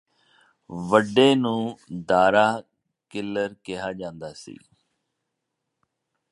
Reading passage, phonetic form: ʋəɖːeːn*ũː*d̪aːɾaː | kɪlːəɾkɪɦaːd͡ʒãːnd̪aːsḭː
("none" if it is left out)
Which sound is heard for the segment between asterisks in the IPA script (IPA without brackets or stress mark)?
ũː